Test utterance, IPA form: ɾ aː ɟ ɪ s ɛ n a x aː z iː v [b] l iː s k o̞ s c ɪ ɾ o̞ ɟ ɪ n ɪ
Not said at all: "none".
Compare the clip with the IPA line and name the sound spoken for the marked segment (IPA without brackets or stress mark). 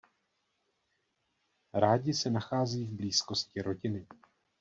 b